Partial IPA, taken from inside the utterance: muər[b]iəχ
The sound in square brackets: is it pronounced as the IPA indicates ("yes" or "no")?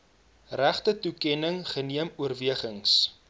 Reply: no